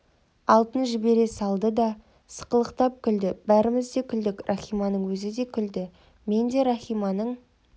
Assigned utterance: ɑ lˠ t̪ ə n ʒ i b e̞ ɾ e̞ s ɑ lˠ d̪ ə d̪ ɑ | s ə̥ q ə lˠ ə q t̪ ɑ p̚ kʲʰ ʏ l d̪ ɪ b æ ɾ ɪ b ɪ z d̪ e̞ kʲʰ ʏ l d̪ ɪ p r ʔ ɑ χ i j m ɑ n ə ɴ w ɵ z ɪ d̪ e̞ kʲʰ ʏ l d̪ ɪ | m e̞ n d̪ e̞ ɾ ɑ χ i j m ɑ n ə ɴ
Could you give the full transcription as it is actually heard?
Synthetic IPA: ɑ lˠ t̪ ə n ʒ ɪ b e̞ ɾ e̞ s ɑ lˠ d̪ ə d̪ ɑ | s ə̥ q ə lˠ ə q t̪ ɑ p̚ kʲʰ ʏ l d̪ ɪ b æ ɾ ɪ m ɪ z d̪ e̞ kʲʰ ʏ l d̪ ɪ k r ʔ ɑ χ i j m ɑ n ə ɴ w ɵ z ɪ d̪ e̞ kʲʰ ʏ l d̪ ɪ | m e̞ n d̪ e̞ ɾ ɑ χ i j m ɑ n ə ɴ